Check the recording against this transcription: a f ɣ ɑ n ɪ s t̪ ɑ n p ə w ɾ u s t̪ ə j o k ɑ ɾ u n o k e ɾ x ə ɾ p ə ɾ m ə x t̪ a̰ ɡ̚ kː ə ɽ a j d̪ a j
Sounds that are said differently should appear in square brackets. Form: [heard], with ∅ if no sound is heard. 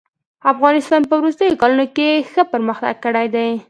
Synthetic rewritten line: a f ɣ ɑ n ɪ s t̪ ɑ n p ə w ɾ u s t̪ ə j o k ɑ [l] u n o k e [∅] x ə [∅] p ə ɾ m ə x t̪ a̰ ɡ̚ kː ə ɽ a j d̪ a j